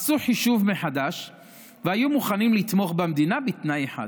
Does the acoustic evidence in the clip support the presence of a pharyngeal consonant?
yes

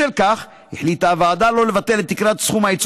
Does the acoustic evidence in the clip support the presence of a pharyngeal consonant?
yes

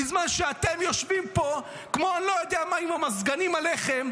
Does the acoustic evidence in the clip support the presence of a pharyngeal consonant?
no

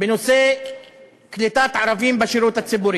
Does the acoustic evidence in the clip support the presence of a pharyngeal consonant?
yes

